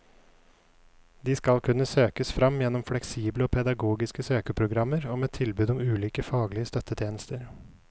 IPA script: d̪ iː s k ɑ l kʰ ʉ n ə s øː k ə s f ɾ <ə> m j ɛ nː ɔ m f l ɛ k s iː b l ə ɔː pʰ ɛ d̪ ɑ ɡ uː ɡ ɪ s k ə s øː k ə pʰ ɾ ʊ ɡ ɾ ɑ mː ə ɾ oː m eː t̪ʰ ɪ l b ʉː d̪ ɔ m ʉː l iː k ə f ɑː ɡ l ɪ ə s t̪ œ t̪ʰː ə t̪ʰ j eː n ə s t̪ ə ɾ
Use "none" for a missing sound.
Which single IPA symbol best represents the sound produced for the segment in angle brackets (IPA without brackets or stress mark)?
ɑ